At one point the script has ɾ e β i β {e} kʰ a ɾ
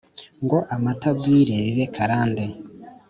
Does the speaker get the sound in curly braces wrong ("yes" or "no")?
no